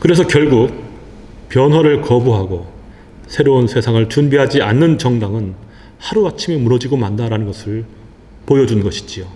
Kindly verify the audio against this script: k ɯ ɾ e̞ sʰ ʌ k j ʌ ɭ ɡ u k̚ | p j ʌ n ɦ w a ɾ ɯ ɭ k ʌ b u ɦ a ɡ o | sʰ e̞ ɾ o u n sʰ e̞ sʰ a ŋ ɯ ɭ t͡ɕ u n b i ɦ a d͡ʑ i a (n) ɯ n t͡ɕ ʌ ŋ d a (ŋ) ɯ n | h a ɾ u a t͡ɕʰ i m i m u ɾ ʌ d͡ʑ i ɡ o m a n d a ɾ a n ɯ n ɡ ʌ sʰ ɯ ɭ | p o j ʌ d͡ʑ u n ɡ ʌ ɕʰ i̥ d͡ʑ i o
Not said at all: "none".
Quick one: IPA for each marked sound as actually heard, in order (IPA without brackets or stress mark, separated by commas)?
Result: nː, ŋ